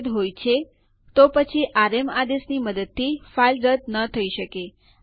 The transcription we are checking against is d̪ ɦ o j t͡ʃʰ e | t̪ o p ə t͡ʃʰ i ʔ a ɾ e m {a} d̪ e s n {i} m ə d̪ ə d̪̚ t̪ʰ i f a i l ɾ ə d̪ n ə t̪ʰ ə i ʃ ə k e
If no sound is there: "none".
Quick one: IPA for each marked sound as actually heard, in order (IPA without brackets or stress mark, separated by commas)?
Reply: a, i